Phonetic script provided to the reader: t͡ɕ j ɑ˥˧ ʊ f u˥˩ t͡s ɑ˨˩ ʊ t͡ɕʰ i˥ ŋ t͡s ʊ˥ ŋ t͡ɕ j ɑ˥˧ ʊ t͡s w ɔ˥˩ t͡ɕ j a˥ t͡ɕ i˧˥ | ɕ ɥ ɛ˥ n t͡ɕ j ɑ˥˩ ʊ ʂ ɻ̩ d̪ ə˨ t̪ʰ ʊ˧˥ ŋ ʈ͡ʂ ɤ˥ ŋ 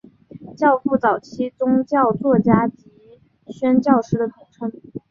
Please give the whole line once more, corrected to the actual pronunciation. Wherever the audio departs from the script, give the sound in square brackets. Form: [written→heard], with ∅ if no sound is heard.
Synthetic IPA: t͡ɕ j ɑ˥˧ ʊ f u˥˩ t͡s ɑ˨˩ ʊ t͡ɕʰ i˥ [ŋ→∅] t͡s ʊ˥ ŋ t͡ɕ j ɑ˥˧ ʊ t͡s w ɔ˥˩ t͡ɕ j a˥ t͡ɕ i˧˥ | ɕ ɥ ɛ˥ n t͡ɕ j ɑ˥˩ ʊ ʂ ɻ̩ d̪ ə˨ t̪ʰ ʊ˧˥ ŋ [ʈ͡ʂ→ʈ͡ʂʰ] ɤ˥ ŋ

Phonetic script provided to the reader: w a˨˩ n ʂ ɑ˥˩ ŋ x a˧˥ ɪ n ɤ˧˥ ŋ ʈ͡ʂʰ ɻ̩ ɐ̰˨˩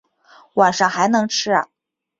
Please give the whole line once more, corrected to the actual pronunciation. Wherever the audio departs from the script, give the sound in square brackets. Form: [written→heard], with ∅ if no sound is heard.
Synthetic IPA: w a˨˩ n ʂ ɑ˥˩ ŋ x a˧˥ ɪ n ɤ˧˥ ŋ ʈ͡ʂʰ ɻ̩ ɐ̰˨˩

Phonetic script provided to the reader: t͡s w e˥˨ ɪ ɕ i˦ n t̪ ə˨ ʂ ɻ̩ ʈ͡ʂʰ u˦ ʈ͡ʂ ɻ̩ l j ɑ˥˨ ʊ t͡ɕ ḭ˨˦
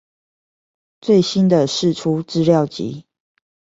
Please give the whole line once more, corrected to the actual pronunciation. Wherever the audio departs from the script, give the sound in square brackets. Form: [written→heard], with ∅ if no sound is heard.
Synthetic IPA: t͡s w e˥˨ ɪ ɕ i˦ n [t̪→d̪] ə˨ ʂ ɻ̩ ʈ͡ʂʰ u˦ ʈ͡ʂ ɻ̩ l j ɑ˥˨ ʊ t͡ɕ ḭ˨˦

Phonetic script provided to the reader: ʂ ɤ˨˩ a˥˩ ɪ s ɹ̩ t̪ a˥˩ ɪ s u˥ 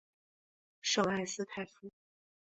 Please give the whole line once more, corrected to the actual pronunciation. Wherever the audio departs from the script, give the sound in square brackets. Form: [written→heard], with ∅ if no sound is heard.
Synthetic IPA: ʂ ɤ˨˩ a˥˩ ɪ s ɹ̩ [t̪→t̪ʰ] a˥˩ ɪ [s→f] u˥

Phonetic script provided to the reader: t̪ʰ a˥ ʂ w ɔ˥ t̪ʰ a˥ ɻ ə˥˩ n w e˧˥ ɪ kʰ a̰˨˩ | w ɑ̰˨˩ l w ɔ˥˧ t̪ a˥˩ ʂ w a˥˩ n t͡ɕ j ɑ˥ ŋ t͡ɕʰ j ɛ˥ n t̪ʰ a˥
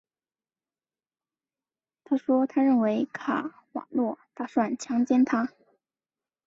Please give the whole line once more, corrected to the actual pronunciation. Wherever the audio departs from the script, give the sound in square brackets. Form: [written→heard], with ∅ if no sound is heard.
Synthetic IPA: t̪ʰ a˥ ʂ w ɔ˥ t̪ʰ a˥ ɻ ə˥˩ n w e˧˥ ɪ kʰ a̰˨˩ | w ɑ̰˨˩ l w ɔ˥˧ t̪ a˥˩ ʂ w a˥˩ n [t͡ɕ→t͡ɕʰ] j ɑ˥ ŋ [t͡ɕʰ→t͡ɕ] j ɛ˥ n t̪ʰ a˥

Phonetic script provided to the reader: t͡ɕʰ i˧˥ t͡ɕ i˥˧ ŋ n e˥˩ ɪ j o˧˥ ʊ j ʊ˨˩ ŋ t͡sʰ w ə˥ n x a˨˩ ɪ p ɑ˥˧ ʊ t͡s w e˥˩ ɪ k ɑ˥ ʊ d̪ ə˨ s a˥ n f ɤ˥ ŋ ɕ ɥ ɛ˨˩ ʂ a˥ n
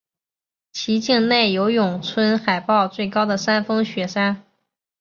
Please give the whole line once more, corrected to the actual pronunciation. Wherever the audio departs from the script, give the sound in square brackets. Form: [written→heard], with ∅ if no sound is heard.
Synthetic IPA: t͡ɕʰ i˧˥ t͡ɕ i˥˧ ŋ n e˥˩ ɪ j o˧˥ ʊ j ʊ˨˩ ŋ t͡sʰ w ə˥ n x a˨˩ ɪ p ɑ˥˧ ʊ t͡s w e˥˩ ɪ k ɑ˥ ʊ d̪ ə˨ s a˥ n f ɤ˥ ŋ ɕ ɥ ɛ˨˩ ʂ a˥ n

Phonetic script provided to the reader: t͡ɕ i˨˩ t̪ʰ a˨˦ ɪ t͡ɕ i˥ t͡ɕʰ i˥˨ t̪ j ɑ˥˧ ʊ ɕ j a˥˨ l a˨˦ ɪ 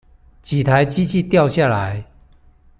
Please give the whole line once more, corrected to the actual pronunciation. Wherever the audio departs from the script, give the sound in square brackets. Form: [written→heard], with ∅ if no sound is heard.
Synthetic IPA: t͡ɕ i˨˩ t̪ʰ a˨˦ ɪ t͡ɕ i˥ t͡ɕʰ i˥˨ t̪ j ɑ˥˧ ʊ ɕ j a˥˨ l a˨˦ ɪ

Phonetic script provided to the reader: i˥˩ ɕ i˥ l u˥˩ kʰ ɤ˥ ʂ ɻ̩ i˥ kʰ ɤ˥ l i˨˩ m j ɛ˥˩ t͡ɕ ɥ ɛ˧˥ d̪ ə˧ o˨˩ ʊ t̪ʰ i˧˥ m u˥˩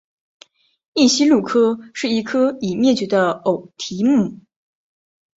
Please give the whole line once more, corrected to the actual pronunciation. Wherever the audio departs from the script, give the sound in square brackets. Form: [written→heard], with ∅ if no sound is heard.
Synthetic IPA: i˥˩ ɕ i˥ l u˥˩ kʰ ɤ˥ ʂ ɻ̩ [i˥→i˧˥] kʰ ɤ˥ [l→∅] i˨˩ m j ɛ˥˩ t͡ɕ ɥ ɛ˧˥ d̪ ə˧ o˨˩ ʊ t̪ʰ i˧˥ m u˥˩

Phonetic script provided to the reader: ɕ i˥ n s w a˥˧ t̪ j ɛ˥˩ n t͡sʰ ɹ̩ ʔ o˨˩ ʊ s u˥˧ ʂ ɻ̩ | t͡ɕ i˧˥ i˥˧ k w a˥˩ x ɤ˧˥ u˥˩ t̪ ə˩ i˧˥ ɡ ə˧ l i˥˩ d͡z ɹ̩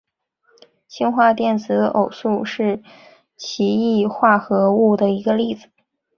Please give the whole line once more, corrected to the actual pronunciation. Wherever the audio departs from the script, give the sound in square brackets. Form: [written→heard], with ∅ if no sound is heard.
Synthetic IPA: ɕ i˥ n [s→x] w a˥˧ t̪ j ɛ˥˩ n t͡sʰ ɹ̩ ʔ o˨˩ ʊ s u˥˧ ʂ ɻ̩ | [t͡ɕ→t͡ɕʰ] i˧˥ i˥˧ [k→x] w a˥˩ x ɤ˧˥ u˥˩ [t̪→d̪] ə˩ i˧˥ ɡ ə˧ l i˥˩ d͡z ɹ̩

